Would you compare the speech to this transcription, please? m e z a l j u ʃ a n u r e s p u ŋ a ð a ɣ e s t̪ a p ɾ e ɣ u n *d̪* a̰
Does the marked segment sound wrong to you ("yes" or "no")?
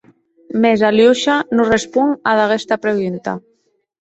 yes